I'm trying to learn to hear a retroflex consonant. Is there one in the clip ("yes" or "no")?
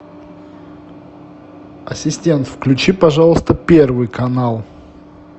yes